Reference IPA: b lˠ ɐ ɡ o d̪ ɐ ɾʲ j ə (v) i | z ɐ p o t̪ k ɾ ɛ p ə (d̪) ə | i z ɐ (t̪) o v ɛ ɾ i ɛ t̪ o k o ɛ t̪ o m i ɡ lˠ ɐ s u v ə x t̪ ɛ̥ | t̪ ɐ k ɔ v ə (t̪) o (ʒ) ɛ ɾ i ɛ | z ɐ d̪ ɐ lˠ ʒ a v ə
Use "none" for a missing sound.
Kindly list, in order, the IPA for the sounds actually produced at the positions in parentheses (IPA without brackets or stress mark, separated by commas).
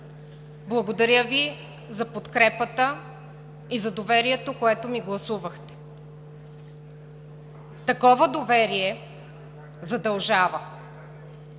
v, t̪, d̪, d̪, v